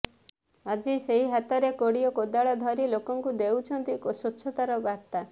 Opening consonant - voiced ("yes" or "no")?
yes